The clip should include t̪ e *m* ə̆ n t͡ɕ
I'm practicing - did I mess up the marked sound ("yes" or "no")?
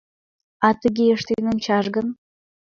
yes